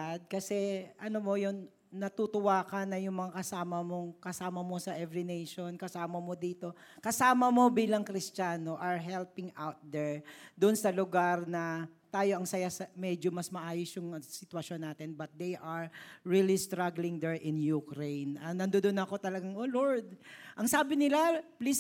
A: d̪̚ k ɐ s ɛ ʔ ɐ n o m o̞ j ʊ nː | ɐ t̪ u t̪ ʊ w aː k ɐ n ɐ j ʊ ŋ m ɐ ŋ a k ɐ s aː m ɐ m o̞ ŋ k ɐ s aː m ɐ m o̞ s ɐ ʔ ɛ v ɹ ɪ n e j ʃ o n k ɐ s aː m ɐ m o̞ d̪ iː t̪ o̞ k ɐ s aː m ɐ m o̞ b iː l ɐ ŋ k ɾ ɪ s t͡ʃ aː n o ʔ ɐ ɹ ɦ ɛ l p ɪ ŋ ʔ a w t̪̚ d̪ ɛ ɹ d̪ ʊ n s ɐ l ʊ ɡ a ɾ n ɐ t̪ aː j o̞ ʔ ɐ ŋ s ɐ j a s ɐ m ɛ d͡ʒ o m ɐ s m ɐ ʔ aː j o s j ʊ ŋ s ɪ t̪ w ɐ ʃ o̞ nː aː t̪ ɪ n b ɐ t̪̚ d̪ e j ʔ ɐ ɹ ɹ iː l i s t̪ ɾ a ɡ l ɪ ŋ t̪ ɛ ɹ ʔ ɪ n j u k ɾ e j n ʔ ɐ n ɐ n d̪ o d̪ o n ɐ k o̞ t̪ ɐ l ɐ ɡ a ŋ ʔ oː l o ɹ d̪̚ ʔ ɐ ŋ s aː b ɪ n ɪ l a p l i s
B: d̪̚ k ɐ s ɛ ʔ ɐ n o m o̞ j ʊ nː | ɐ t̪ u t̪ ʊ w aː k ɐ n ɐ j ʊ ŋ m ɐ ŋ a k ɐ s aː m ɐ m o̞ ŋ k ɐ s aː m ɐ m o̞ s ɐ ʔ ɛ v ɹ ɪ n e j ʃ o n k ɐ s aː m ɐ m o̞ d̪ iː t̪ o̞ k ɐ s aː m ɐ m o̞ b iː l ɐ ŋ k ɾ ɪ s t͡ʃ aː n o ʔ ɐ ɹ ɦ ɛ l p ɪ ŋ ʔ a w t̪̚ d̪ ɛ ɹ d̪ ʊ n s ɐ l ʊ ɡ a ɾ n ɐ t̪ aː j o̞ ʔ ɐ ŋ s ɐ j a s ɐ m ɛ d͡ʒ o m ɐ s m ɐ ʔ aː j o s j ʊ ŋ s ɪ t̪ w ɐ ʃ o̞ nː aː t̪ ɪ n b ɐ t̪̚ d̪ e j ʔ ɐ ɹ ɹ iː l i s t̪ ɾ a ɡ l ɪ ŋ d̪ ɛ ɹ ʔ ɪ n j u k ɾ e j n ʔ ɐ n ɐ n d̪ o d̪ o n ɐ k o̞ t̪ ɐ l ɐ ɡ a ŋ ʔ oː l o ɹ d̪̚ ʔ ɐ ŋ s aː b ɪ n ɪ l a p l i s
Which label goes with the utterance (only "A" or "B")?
B